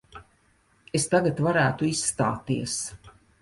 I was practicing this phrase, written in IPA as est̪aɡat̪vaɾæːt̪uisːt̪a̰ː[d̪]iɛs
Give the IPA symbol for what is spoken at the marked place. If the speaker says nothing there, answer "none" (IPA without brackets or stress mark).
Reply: t̪